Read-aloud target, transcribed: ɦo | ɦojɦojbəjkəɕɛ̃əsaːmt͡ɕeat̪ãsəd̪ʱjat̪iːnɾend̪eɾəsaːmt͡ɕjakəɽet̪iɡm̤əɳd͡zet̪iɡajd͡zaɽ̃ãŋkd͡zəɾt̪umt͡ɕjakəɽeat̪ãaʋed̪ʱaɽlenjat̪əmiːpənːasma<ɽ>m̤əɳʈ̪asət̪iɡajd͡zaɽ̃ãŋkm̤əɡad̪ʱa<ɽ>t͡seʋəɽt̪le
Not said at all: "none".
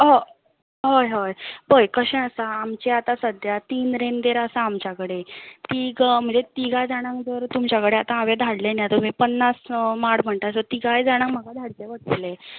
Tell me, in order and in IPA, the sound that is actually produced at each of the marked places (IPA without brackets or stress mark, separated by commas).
ɽ, ɽ